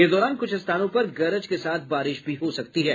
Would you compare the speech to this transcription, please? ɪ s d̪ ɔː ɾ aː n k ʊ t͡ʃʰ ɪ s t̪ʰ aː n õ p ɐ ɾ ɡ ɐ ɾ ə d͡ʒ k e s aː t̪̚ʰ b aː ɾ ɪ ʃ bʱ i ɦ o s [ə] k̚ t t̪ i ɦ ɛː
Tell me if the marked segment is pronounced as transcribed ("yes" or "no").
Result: no